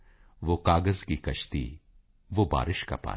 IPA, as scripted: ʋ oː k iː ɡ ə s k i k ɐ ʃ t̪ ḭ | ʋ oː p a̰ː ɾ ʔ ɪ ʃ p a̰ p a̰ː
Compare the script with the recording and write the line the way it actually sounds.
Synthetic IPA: ʋ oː k aː ɡ ə z k i k ɐ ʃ t̪ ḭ | ʋ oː b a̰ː ɾ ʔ ɪ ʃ k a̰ p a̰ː